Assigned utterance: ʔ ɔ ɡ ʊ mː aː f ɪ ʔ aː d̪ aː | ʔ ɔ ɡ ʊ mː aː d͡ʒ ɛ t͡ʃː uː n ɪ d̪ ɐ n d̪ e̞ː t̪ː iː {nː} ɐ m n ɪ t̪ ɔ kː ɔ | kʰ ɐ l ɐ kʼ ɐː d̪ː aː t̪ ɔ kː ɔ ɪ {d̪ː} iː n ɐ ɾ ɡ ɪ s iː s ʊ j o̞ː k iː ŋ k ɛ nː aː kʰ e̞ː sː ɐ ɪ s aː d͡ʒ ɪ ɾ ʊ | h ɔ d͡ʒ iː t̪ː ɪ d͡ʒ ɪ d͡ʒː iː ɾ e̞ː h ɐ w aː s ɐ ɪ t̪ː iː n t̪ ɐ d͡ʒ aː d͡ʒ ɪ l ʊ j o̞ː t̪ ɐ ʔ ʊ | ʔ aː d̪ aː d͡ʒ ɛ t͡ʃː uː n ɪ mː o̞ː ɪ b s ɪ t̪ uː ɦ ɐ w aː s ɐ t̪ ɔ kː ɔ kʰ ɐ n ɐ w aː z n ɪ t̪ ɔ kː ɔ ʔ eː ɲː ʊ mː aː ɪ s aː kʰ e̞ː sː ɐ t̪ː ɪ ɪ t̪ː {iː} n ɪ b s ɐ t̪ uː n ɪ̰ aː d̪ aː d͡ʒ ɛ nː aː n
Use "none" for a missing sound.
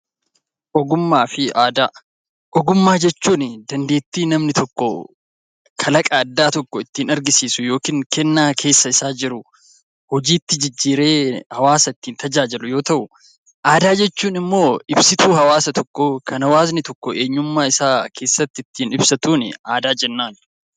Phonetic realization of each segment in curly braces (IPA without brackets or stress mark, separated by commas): n, t̪ː, iː